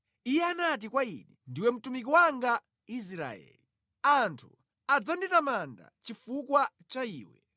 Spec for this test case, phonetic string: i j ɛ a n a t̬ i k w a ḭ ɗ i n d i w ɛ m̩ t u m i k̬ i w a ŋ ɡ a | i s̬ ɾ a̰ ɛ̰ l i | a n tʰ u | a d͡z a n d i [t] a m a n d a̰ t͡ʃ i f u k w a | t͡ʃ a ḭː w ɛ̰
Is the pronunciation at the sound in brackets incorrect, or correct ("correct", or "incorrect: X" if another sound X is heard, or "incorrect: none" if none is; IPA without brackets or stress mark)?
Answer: correct